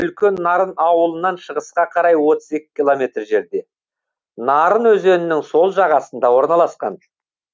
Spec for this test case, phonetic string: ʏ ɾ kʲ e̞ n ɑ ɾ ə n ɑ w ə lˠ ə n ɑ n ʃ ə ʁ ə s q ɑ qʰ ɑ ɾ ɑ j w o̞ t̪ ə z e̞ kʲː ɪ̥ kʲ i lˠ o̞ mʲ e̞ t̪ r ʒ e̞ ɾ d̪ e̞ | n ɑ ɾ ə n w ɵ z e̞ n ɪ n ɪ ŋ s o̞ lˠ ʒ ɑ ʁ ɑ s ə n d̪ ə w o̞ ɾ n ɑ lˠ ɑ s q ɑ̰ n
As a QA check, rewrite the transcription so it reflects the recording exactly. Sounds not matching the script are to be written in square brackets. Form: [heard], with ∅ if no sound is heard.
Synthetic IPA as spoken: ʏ [l] kʲ e̞ [nː] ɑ ɾ ə n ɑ w ə lˠ ə n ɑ n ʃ ə ʁ ə s q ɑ qʰ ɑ ɾ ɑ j w o̞ t̪ ə z e̞ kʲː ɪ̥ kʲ i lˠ o̞ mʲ e̞ t̪ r ʒ e̞ ɾ d̪ e̞ | n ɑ ɾ ə n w ɵ z e̞ n ɪ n ɪ ŋ s o̞ lˠ ʒ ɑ ʁ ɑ s ə n d̪ [ɑ] w o̞ ɾ n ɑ lˠ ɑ s q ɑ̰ n

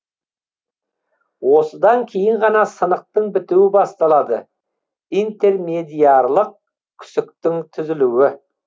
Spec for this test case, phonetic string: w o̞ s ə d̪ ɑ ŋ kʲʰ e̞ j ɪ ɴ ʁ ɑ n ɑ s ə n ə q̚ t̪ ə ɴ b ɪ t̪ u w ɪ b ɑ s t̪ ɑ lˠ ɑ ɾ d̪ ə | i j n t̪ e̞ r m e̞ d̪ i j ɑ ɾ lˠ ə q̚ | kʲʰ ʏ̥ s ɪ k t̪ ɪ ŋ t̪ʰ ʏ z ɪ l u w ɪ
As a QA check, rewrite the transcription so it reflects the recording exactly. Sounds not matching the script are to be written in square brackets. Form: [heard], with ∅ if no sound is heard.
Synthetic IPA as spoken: w o̞ s ə d̪ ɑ ŋ kʲʰ e̞ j ɪ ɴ ʁ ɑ n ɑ s ə n ə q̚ t̪ ə ɴ b ɪ t̪ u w ɪ b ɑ s t̪ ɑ lˠ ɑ [∅] d̪ ə | i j n t̪ e̞ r m e̞ d̪ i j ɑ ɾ lˠ ə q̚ | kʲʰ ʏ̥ s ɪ k t̪ ɪ ŋ t̪ʰ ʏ z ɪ l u w ɪ

